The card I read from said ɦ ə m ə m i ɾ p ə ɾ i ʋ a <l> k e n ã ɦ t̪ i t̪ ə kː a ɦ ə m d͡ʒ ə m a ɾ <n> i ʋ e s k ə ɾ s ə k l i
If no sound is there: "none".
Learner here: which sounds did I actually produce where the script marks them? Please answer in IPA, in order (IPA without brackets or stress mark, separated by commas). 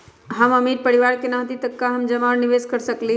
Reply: ɾ, n